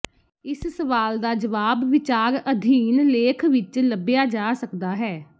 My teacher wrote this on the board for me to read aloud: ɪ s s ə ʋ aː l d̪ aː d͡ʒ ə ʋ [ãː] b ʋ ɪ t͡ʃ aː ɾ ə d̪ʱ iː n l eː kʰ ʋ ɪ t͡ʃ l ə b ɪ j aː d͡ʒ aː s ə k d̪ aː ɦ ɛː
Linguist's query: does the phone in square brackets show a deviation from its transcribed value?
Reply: yes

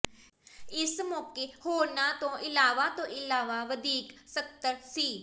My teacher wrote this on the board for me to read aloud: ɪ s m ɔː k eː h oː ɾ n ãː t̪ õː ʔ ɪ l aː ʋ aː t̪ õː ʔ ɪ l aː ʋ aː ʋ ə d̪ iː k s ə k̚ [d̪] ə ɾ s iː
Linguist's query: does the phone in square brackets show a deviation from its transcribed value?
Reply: yes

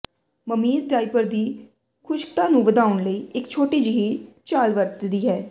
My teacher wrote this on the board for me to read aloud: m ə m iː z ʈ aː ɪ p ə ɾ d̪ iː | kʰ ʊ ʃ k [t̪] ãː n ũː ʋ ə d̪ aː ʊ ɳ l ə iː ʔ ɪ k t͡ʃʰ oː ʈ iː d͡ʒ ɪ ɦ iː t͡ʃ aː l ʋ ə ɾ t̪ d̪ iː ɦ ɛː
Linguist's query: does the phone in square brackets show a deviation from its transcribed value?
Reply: no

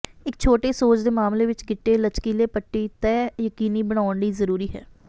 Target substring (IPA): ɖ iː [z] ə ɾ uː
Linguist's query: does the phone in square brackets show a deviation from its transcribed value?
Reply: no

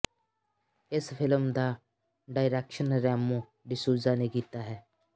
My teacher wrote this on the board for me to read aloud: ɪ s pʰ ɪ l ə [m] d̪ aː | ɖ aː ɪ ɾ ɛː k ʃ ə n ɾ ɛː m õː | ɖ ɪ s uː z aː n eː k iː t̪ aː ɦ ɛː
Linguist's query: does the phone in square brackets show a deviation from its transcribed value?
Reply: no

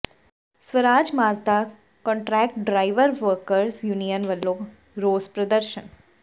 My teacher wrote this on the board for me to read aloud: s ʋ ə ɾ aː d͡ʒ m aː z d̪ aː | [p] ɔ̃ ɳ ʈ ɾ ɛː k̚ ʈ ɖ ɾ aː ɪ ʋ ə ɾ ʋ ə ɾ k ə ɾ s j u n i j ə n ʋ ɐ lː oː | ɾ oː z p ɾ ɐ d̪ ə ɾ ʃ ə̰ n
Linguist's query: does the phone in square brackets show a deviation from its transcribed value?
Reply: yes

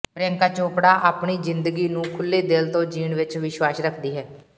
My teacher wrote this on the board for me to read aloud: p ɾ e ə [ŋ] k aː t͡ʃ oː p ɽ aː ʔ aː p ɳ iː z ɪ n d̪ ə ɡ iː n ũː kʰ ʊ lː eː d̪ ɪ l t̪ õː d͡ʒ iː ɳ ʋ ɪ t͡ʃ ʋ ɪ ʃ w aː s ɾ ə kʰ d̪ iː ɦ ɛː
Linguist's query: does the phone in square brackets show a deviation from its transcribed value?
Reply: no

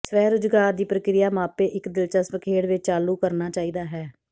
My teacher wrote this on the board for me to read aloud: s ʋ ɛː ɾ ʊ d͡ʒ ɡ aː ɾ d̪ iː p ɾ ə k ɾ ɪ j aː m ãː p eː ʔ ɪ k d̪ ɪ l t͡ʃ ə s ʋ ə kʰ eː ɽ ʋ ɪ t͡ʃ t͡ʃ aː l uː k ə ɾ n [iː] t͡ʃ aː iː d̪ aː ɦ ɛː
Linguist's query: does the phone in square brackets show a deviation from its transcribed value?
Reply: yes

